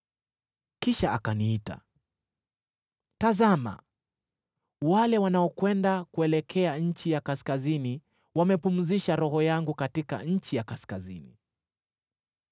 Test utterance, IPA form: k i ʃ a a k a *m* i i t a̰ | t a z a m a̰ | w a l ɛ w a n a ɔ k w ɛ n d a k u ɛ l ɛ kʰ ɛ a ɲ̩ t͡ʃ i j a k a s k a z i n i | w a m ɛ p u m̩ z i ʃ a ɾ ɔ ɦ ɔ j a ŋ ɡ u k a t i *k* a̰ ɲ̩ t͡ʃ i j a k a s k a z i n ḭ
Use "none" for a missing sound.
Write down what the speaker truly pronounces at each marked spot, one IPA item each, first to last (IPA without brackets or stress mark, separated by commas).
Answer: n, k